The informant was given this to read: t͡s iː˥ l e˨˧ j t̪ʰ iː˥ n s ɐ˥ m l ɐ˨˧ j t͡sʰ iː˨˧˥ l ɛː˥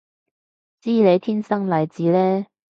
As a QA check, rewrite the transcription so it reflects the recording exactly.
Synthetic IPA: t͡s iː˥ l e˨˧ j t̪ʰ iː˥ n s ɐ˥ ŋ l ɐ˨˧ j t͡s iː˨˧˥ l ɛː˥